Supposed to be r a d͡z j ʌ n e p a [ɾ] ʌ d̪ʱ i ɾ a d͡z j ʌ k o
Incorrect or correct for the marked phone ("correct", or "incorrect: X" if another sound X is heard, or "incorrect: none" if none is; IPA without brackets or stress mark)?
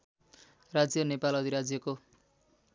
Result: incorrect: l